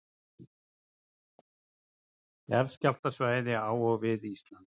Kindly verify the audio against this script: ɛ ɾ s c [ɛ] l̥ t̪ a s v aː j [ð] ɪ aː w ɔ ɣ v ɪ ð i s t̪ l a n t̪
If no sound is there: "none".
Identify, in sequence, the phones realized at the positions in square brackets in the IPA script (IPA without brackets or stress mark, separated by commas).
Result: a, ð